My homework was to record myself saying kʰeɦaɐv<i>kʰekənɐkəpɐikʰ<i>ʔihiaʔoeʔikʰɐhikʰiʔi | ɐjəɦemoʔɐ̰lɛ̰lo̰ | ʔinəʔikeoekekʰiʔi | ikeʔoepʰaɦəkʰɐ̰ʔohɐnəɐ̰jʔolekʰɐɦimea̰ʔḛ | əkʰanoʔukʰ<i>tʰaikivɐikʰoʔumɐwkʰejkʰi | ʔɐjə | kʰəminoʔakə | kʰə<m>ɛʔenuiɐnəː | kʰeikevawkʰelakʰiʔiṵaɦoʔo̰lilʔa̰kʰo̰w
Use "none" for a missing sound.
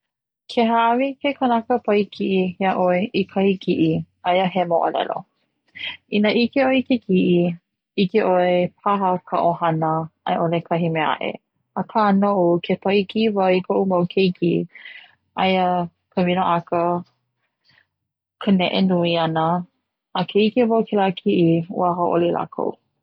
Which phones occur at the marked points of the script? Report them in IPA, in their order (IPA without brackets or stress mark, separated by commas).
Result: i, i, e, n